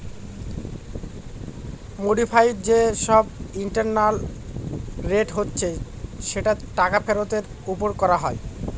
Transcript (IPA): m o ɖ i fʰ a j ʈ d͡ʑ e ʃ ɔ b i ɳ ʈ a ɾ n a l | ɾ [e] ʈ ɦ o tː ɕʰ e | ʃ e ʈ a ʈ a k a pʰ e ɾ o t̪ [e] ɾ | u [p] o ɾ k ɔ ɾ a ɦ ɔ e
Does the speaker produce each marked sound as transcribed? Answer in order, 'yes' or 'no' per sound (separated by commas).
yes, yes, yes